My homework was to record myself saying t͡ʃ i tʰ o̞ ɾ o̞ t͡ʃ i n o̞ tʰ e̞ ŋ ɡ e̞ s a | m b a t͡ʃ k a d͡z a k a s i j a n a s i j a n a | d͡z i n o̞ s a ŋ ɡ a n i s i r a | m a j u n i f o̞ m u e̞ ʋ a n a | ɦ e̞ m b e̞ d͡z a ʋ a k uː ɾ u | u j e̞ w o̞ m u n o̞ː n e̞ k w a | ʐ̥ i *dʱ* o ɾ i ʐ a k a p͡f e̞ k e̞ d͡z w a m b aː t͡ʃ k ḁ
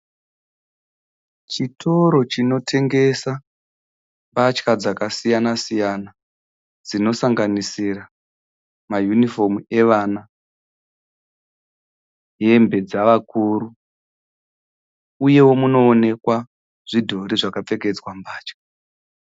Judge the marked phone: correct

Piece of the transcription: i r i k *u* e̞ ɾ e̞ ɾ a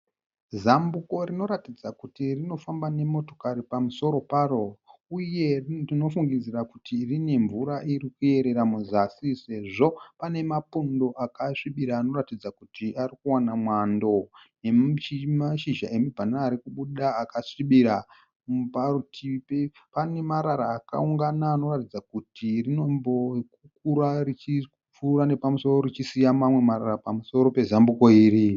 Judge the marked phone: correct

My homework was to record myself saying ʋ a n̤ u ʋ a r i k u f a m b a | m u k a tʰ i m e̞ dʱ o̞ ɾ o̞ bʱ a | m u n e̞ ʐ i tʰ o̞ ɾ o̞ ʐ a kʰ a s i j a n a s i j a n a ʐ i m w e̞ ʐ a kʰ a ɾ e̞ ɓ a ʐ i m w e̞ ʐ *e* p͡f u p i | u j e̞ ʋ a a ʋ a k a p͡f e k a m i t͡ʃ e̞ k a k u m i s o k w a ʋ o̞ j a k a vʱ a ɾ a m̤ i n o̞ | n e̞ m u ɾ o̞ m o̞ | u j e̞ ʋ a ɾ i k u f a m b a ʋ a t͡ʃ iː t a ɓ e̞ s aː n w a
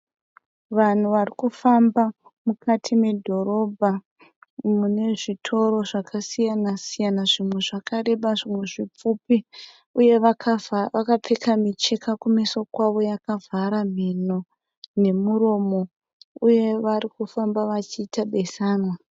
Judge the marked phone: incorrect: i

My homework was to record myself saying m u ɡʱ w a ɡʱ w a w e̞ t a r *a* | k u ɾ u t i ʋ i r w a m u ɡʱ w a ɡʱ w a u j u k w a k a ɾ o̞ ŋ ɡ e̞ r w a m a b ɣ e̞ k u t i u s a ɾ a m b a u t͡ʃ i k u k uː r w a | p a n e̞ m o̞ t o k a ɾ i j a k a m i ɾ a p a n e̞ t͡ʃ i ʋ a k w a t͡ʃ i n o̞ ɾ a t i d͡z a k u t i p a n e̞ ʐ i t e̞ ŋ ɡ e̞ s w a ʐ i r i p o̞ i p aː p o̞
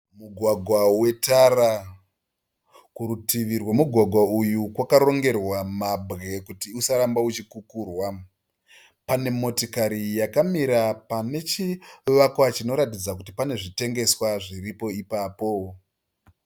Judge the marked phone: correct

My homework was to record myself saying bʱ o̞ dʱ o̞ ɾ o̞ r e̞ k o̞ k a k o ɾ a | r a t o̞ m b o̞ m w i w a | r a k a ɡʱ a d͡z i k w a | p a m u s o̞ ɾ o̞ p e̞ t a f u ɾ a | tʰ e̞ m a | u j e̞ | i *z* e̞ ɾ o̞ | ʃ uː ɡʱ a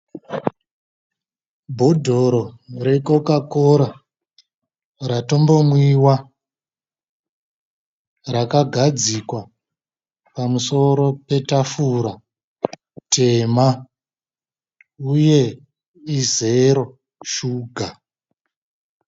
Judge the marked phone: correct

